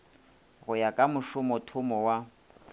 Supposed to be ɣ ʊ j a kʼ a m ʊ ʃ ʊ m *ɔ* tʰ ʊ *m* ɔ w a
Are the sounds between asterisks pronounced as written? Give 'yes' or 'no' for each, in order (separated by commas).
yes, yes